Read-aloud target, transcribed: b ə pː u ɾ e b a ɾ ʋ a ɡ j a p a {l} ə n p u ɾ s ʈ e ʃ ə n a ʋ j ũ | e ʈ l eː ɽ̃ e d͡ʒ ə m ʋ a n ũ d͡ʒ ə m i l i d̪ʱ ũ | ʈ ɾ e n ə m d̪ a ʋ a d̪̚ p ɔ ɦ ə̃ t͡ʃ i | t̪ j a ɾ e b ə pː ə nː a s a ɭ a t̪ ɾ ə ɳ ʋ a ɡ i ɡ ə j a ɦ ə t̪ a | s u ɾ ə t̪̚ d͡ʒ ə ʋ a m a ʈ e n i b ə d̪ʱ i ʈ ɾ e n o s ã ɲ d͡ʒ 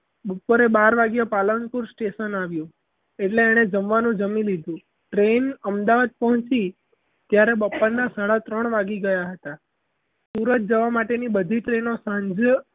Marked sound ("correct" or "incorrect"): correct